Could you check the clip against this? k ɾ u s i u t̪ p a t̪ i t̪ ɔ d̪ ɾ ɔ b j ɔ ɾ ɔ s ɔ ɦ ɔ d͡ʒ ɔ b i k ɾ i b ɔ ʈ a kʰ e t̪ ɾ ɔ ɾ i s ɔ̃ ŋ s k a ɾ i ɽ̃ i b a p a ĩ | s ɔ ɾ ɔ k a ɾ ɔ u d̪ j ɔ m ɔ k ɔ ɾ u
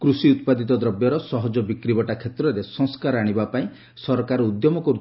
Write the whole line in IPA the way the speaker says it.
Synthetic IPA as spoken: k ɾ u s i u t̪ p a d̪ i t̪ ɔ d̪ ɾ ɔ b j ɔ ɾ ɔ s ɔ ɦ ɔ d͡ʒ ɔ b i k ɾ i b ɔ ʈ a kʰ e t̪ ɾ ɔ ɾ e s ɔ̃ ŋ s k a ɾ a ɽ̃ i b a p a ĩ | s ɔ ɾ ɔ k a ɾ ɔ u d̪ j ɔ m ɔ k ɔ ɾ u